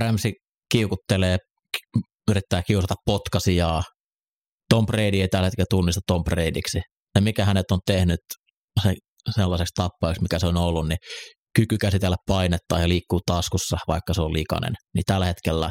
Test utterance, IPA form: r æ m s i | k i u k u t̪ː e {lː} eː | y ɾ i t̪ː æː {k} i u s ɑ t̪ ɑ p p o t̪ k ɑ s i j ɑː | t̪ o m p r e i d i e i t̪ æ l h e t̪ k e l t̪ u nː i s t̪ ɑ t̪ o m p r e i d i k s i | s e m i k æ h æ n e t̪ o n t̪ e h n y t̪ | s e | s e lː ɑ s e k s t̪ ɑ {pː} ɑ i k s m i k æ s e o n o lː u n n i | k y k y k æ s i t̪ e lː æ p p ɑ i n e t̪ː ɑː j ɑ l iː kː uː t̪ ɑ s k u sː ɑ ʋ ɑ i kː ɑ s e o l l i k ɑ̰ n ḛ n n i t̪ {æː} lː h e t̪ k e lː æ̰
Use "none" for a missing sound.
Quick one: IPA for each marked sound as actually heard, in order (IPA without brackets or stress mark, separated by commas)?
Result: l, k, pː, æ